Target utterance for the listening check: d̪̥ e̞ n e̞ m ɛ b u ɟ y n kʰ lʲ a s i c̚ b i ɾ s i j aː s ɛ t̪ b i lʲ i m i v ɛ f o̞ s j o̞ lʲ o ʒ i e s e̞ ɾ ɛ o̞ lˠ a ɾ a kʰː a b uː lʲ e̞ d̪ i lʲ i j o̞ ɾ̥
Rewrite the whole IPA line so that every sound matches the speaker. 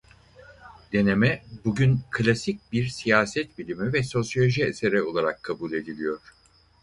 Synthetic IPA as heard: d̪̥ e̞ n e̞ m ɛ b u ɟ y n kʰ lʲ a s i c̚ b i ɾ s i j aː s ɛ t̪ b i lʲ i m i v ɛ s o̞ s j o̞ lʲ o ʒ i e s e̞ ɾ ɛ o̞ lˠ a ɾ a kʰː a b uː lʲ e̞ d̪ i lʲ i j o̞ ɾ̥